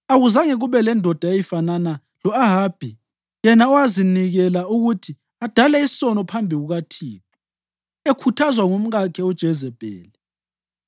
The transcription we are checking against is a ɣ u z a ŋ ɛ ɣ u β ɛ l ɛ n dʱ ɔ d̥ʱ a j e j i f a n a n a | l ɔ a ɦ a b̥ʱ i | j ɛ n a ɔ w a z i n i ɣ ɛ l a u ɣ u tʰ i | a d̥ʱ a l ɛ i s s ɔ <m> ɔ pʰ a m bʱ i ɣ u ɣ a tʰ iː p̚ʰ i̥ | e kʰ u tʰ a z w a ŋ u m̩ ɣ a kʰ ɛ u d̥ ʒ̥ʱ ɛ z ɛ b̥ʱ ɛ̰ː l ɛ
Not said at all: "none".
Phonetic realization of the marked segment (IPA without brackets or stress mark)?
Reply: n